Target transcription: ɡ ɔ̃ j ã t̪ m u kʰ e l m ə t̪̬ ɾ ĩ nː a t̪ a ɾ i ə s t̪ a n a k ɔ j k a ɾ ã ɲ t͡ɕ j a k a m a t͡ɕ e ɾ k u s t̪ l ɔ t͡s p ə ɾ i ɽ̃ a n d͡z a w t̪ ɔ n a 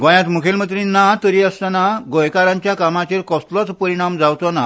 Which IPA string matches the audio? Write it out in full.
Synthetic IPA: ɡ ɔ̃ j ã t̪ m u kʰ e l m ə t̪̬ ɾ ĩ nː a t̪ ə ɾ i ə s t̪ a n a ɡ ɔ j k a ɾ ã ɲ t͡ɕ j a k a m a t͡ɕ e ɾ k ɔ s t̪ l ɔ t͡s p ə ɾ i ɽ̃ a m d͡z a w t̪ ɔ n a